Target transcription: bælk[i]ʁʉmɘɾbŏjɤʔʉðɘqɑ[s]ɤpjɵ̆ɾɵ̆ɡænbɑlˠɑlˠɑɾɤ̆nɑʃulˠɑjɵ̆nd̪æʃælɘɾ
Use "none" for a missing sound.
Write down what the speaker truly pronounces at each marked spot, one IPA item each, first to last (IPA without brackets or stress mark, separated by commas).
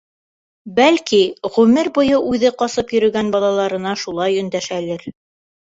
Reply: i, s